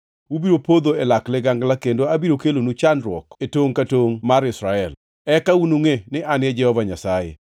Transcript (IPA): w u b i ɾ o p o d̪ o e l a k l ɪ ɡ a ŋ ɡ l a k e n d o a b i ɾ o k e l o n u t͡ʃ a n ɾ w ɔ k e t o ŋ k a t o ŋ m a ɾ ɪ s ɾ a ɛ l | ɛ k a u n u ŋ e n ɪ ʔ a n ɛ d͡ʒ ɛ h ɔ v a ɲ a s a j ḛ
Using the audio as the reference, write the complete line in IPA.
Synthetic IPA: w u b i ɾ o p o d̪ o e l a k l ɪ ɡ a ŋ ɡ l a k e n d o a b i ɾ o k e l o n u t͡ʃ a n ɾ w ɔ k e t o ŋ k a t o ŋ m a ɾ ɪ s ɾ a ɛ l | ɛ k a u n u ŋ e n ɪ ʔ a n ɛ d͡ʒ ɛ h ɔ v a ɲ a s a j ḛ

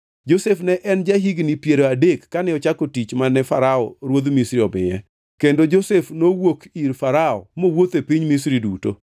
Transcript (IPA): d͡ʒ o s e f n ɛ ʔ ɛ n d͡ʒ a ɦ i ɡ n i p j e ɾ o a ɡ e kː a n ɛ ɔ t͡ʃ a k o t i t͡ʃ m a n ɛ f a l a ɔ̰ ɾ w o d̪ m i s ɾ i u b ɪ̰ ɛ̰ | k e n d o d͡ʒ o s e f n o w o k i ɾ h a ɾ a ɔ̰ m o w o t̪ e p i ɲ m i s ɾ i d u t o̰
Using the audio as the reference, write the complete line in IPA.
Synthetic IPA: d͡ʒ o s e f n ɛ ʔ ɛ n d͡ʒ a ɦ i ɡ n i p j e ɾ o a d e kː a n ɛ ɔ t͡ʃ a k o t i t͡ʃ m a n ɛ f a ɾ a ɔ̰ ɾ w o d̪ m i s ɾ i ɔ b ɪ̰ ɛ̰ | k e n d o d͡ʒ o s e f n o w o k i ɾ f a ɾ a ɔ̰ m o w o t̪ e p i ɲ m i s ɾ i d u t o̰

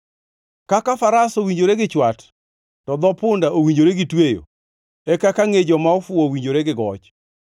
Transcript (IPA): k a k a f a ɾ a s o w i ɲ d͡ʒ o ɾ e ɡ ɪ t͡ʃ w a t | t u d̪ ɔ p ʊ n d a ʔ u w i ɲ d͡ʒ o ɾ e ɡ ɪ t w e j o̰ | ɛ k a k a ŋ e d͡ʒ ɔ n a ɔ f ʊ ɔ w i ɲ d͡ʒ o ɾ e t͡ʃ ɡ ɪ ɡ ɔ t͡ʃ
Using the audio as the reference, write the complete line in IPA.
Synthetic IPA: k a k a f a ɾ a s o w i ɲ d͡ʒ o ɾ e ɡ ɪ t͡ʃ w a t | t ɔ d̪ ɔ p ʊ n d a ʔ o w i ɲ d͡ʒ o ɾ e ɡ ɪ t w e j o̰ | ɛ k a k a ŋ e d͡ʒ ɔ m a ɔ f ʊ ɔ w i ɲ d͡ʒ o ɾ e ɡ ɪ ɡ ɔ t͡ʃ

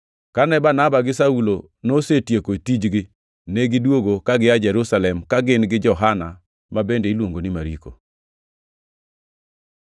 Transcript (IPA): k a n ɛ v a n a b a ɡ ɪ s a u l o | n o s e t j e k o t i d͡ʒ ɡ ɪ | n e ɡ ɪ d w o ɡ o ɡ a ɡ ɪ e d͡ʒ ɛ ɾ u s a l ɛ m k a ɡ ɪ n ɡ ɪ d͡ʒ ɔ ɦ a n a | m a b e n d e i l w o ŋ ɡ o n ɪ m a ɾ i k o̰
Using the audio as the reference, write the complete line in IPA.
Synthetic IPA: k a n ɛ b a n a b a ɡ ɪ s a u l o | n o s e t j e k o t i d͡ʒ ɡ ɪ | n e ɡ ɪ d w o ɡ o k a ɡ ɪ a d͡ʒ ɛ ɾ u s a l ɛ m k a ɡ ɪ n ɡ ɪ d͡ʒ ɔ ɦ a n a | m a b e n d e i l w o ŋ ɡ o n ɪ m a ɾ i k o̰

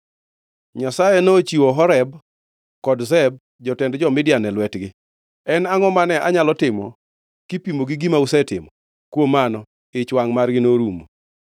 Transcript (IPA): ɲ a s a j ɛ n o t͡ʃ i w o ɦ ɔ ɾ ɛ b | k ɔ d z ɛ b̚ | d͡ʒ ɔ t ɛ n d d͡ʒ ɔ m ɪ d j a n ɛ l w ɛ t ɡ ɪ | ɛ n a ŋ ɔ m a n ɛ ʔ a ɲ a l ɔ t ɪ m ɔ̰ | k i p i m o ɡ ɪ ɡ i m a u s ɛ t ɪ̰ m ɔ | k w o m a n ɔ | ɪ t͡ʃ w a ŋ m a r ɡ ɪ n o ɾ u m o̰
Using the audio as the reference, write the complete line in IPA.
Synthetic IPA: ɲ a s a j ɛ n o t͡ʃ i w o ɦ ɔ ɾ ɛ b | k ɔ d z ɛ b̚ | d͡ʒ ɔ t ɛ n d d͡ʒ ɔ m ɪ d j a n ɛ l w ɛ t ɡ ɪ | ɛ n a ŋ ɔ m a n ɛ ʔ a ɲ a l ɔ t ɪ m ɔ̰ | k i p i m o ɡ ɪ ɡ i m a u s ɛ t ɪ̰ m ɔ | k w o m a n ɔ | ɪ t͡ʃ w a ŋ m a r ɡ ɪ n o ɾ u m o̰

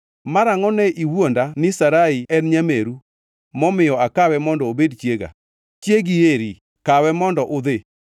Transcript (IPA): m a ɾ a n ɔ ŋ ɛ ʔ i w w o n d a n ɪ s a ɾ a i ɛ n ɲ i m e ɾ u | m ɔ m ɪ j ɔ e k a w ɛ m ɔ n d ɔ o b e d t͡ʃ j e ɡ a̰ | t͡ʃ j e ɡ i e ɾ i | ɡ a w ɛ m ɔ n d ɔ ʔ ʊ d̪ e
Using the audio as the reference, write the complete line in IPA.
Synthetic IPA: m a ɾ a ŋ ɔ n ɛ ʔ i w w o n d a n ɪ s a ɾ a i ɛ n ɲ a m e ɾ u | m ɔ m ɪ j ɔ a k a w ɛ m ɔ n d ɔ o b e d t͡ʃ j e ɡ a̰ | t͡ʃ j e ɡ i e ɾ i | k a w ɛ m ɔ n d ɔ ʔ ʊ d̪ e

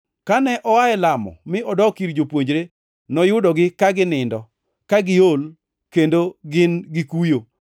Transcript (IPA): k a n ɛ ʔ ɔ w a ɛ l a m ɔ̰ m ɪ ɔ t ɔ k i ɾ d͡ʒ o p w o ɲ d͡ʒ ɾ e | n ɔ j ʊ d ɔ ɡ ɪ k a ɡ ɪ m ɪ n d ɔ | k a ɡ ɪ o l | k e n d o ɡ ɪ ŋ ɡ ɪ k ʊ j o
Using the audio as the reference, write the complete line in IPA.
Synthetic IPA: k a n ɛ ʔ ɔ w a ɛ l a m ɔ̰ m ɪ ɔ d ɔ k i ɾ d͡ʒ o p w o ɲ d͡ʒ ɾ e | n ɔ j ʊ d ɔ ɡ ɪ k a ɡ ɪ n ɪ n d ɔ | k a ɡ ɪ o l | k e n d o ɡ ɪ n ɡ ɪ k u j o

